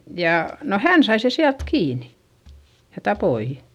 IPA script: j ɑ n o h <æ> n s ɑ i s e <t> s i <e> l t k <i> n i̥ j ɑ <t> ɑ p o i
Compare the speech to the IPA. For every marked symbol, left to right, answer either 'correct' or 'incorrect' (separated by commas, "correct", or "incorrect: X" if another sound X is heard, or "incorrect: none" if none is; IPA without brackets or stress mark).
correct, incorrect: none, incorrect: æ, incorrect: iː, correct